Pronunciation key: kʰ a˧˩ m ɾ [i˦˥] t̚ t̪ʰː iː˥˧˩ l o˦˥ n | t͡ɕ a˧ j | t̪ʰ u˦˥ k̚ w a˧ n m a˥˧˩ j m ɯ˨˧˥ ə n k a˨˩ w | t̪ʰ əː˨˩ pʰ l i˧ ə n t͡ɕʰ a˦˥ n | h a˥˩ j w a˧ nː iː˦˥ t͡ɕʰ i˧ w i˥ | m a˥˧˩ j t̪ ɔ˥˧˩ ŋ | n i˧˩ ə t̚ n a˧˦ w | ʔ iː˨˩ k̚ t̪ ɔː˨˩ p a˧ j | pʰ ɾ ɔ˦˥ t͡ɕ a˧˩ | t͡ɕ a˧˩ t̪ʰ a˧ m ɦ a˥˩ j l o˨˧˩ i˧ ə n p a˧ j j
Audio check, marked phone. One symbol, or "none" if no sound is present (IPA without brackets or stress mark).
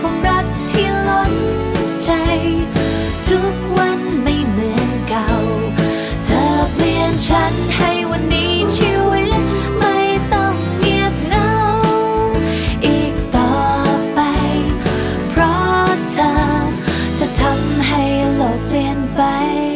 a˦˥